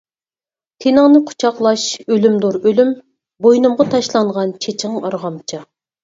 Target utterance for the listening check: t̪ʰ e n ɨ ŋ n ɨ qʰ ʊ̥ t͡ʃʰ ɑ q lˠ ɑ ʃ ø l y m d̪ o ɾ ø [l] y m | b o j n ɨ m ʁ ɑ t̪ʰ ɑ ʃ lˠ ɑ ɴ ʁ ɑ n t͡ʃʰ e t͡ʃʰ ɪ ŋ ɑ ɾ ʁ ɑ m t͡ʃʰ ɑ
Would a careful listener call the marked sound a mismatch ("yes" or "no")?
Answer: no